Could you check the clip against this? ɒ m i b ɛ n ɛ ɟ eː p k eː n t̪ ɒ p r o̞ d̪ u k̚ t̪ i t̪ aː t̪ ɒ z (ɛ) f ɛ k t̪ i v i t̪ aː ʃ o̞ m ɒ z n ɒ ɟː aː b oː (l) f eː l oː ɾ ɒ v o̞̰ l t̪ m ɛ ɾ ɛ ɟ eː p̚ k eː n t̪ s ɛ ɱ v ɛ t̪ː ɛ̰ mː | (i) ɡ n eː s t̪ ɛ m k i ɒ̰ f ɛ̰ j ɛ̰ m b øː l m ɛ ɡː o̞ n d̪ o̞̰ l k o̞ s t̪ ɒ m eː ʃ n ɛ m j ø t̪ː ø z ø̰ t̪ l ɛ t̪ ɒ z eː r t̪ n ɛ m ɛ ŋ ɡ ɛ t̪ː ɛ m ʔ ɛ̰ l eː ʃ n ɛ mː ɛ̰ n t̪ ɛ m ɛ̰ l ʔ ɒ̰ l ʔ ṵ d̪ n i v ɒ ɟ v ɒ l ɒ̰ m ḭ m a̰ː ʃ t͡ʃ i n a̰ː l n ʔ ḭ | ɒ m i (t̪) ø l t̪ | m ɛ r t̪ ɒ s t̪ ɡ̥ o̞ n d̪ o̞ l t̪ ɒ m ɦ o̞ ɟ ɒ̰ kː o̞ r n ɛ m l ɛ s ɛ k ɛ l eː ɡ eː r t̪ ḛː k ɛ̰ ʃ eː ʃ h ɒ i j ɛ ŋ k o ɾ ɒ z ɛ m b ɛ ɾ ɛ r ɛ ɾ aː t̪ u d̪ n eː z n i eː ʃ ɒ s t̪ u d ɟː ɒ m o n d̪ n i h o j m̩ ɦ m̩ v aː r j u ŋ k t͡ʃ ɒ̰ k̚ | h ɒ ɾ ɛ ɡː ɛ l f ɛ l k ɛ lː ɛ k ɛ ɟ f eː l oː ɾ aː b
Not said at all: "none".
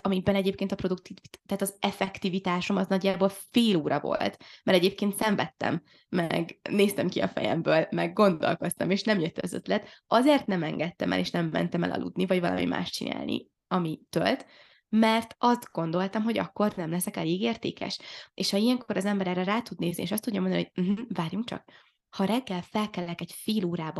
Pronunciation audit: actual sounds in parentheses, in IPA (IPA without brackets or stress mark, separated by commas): ɛ, l, ɛ, t̪